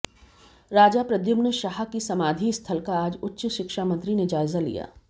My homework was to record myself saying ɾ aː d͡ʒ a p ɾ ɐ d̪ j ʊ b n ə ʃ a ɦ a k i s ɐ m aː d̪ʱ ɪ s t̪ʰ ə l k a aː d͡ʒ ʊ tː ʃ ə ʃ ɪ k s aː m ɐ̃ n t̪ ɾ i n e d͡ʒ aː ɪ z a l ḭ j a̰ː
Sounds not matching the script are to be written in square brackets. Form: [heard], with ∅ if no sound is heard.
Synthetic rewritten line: ɾ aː d͡ʒ a p ɾ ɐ d̪ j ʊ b n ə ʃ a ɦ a k i s ɐ m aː d̪ʱ [i] s t̪ʰ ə l k a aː d͡ʒ ʊ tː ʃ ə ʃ ɪ k [ʃ] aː m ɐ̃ n t̪ ɾ i n e d͡ʒ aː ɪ z a l ḭ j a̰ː